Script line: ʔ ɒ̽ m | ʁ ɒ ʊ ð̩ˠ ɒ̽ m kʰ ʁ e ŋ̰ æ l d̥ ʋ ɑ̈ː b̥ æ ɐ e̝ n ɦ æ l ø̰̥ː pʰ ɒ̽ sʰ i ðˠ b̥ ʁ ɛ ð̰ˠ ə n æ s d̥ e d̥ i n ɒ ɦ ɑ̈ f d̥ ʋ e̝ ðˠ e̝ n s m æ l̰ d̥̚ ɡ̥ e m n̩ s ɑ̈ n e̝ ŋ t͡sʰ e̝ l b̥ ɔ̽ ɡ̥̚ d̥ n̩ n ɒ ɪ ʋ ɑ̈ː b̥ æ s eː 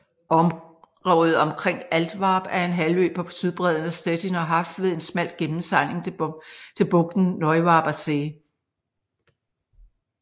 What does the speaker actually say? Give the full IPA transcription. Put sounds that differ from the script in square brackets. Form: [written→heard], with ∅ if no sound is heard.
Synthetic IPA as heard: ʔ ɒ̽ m | ʁ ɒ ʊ ð̩ˠ ɒ̽ m kʰ ʁ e ŋ̰ æ l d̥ ʋ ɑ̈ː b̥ æ ɐ e̝ n ɦ æ l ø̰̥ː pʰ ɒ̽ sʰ [i→y] ðˠ b̥ ʁ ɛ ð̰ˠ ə n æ s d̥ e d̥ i n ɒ ɦ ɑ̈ f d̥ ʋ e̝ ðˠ e̝ n s m æ l̰ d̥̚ ɡ̥ e m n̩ s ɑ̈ n e̝ ŋ t͡sʰ e̝ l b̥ ɔ̽ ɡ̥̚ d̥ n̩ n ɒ ɪ ʋ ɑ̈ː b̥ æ s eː